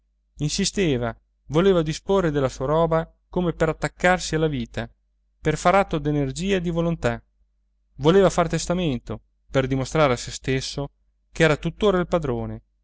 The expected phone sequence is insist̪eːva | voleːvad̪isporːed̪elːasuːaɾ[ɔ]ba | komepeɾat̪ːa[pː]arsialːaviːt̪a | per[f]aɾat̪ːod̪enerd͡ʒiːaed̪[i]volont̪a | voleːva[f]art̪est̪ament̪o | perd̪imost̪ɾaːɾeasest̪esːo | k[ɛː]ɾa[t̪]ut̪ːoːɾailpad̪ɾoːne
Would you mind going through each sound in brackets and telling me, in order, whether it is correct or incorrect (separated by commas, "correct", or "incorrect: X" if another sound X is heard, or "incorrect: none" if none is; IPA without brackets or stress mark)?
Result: incorrect: ɔː, incorrect: kː, correct, correct, correct, correct, correct